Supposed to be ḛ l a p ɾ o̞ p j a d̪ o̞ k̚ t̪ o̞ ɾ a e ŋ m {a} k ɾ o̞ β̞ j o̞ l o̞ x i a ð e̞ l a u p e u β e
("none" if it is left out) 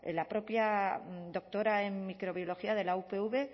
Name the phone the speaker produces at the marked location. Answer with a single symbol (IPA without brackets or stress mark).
i